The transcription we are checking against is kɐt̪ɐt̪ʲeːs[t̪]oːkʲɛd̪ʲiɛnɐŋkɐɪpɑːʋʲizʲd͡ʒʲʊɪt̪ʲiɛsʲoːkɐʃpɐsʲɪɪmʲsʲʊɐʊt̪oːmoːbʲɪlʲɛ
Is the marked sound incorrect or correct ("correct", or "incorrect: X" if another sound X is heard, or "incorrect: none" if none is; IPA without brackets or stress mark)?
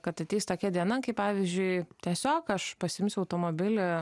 correct